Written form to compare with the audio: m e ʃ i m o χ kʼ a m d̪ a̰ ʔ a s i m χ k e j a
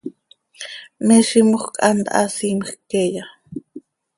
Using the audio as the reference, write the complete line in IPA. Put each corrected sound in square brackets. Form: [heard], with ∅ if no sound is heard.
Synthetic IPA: m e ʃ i m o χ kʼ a [n] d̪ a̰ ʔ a s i m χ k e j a